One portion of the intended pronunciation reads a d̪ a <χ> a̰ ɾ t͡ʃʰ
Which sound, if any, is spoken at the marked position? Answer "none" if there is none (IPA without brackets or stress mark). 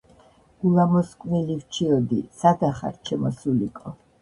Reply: χ